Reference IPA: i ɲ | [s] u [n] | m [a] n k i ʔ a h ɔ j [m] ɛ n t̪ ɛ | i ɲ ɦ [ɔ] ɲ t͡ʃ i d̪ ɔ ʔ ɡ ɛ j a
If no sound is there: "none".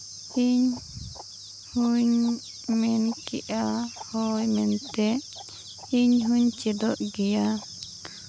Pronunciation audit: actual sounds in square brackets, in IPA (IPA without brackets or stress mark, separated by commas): h, ɲ, ɛ, m, u